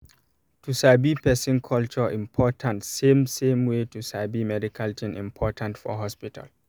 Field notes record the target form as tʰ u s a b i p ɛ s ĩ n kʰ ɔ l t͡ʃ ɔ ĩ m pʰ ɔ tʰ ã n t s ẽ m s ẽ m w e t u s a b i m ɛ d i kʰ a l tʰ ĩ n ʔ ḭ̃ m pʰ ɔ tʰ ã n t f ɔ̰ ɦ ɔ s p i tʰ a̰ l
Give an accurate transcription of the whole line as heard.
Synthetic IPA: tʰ u s a b i p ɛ s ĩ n kʰ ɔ l t͡ʃ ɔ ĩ m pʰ ɔ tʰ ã n t s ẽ m s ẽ m w e t u s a b i m ɛ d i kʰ a l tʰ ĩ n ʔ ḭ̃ m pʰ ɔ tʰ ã n t f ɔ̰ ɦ ɔ s p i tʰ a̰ l

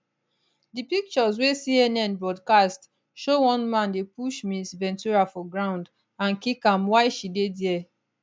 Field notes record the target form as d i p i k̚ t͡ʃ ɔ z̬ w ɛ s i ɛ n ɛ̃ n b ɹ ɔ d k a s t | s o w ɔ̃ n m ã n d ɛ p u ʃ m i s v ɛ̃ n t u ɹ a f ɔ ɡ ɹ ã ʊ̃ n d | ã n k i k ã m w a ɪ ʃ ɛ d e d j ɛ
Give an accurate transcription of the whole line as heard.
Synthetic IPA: d i p i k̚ t͡ʃ ɔ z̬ w e s i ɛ n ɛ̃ n b ɹ ɔ d k a s t | ʃ o w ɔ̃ n m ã n d e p u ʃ m i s v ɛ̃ n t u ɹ a f ɔ ɡ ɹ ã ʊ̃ n d | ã n k i k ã m w a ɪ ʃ i d e d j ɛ

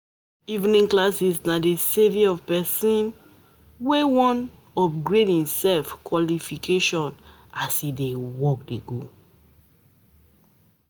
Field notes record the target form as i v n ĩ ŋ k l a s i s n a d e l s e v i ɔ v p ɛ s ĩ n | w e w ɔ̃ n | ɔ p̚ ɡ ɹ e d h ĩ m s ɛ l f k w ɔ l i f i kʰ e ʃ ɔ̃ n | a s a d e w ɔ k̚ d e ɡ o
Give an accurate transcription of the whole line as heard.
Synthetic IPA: i v n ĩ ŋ k l a s i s n a d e s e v i ɔ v p ɛ s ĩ n | w e w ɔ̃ n | ɔ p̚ ɡ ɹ e d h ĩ m s ɛ l f k w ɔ l i f i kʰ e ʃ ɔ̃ n | a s i d e w ɔ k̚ d e ɡ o

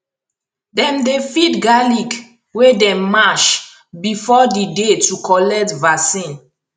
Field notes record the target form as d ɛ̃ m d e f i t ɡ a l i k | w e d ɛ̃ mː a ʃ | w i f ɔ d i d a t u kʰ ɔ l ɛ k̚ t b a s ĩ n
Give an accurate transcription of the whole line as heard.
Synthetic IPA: d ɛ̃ m d e f i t ɡ a l i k | w e d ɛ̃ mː a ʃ | b i f ɔ d i d e t u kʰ ɔ l ɛ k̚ t v a s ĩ n

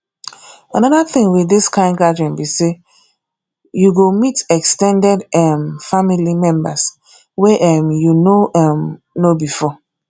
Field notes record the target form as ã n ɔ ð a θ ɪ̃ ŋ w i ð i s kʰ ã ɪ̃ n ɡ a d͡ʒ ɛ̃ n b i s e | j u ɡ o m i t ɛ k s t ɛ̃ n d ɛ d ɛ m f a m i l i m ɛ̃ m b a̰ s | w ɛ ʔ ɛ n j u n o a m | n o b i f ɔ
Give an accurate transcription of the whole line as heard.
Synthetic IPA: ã n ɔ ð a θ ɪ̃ ŋ w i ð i s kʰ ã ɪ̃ n ɡ a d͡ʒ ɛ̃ n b i s e | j u ɡ o m i t ɛ k s t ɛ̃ n d ɛ d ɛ m f a m i l i m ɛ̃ m b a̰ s | w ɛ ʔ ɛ m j u n o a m | n o b i f ɔ

